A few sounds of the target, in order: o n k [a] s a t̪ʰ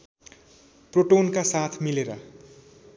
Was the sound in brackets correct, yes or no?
yes